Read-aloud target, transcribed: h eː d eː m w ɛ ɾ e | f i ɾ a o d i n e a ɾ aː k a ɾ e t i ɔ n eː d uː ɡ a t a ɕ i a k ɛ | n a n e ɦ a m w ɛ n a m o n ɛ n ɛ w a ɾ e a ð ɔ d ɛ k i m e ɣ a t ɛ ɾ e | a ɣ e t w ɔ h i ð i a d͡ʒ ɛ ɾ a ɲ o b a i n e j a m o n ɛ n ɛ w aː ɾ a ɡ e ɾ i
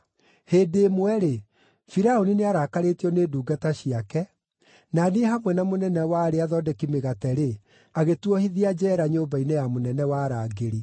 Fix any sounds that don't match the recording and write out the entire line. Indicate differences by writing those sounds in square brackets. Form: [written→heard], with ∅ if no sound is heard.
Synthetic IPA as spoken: h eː d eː m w ɛ ɾ e | f i ɾ a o [d→n] i n e a ɾ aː k a ɾ e t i ɔ n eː d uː ɡ a t a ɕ i a k ɛ | n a n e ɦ a m w ɛ n a m o n ɛ n ɛ w a ɾ e a ð ɔ d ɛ k i m e ɣ a t ɛ ɾ e | a ɣ e t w ɔ h i ð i a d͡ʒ ɛ ɾ a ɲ o b a i n e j a m o n ɛ n ɛ w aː ɾ a ɡ e ɾ i